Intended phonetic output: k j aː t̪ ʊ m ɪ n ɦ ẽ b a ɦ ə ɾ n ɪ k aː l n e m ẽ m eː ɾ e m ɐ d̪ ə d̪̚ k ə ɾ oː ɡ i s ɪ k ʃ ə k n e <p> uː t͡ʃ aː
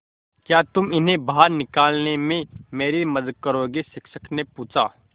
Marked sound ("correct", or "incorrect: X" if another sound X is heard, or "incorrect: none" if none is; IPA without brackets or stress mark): correct